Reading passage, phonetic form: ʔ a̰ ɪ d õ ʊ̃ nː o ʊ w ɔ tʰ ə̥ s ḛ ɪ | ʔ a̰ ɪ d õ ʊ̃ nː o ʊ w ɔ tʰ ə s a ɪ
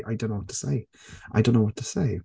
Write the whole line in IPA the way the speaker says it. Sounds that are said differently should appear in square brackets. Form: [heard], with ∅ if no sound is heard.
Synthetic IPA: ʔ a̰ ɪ d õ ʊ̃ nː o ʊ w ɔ tʰ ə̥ s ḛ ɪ | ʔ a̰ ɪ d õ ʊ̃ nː o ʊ w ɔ tʰ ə s [e] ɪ